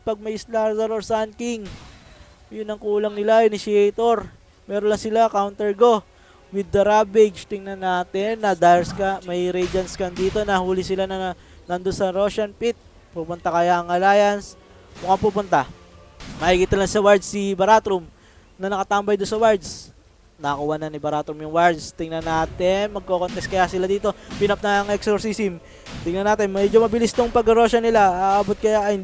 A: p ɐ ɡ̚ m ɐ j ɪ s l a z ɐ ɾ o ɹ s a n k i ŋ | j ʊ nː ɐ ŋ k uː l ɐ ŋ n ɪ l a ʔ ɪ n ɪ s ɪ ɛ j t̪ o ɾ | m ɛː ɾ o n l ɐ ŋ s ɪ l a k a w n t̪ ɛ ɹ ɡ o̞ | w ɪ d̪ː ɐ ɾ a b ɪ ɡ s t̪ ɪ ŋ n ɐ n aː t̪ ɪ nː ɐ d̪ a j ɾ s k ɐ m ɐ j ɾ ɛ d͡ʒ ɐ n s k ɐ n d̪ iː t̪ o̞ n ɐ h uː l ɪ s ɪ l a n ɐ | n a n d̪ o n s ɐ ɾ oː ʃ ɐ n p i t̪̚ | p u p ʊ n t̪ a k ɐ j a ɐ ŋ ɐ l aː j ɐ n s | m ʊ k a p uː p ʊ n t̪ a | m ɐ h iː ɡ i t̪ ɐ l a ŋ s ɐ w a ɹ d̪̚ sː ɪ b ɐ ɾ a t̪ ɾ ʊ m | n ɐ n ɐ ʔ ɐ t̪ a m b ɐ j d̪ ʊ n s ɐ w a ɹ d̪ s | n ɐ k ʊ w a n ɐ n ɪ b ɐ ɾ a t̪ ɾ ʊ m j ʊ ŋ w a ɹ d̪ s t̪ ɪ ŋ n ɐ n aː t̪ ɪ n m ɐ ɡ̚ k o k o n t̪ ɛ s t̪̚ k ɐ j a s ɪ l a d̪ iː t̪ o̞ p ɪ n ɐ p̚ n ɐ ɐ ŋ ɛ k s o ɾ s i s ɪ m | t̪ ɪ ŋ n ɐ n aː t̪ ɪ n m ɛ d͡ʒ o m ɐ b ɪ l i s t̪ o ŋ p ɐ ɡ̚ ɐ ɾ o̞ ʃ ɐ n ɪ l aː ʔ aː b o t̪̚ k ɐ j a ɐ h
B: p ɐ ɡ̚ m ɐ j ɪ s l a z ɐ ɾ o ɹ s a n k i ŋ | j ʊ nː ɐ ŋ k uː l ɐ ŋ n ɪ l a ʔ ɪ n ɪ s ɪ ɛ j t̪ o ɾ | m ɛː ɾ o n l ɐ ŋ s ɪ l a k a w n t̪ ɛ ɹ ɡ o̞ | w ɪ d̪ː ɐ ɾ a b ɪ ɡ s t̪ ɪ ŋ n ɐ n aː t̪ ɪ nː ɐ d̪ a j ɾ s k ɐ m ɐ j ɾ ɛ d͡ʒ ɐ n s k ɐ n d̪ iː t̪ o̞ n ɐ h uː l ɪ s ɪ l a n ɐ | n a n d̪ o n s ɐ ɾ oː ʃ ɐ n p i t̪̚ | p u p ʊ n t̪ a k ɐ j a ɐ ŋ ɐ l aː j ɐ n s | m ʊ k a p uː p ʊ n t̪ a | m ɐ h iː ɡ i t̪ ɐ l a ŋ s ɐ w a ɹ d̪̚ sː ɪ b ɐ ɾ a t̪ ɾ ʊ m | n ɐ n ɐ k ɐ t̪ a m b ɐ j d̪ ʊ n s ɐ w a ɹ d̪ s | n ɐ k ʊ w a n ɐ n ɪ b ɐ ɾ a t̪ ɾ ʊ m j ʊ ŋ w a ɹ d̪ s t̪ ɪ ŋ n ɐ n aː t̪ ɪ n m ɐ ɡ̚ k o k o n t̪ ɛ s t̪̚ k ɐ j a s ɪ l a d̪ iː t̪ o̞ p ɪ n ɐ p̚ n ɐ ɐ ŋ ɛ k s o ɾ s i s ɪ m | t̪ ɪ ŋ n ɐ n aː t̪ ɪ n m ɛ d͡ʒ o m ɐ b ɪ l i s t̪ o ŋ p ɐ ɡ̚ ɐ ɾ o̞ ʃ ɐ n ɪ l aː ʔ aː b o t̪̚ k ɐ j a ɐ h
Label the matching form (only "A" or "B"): B